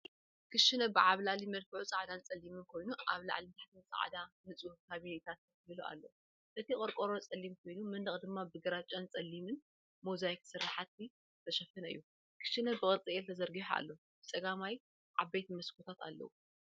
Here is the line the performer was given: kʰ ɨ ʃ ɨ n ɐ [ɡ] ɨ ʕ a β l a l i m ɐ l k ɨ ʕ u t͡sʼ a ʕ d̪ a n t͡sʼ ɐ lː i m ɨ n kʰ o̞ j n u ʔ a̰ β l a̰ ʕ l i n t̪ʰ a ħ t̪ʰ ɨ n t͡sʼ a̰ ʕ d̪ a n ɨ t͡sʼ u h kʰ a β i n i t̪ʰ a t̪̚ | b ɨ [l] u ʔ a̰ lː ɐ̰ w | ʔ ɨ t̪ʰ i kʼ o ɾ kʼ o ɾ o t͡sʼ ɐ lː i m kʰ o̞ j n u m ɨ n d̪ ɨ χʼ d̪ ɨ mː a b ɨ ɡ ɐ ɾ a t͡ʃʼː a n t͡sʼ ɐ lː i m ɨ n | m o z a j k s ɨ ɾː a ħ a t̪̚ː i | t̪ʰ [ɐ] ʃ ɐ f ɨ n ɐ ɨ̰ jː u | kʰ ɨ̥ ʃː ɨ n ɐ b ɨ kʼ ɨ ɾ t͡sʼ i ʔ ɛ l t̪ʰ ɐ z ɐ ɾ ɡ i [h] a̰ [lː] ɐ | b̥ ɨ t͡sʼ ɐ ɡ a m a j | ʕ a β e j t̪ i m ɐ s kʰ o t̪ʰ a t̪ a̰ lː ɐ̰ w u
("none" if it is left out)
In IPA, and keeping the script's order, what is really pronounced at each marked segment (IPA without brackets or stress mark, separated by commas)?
b, l, ɐ, ħ, lː